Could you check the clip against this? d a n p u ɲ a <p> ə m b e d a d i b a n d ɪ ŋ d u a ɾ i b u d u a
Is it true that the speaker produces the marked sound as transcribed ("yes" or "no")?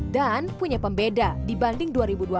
yes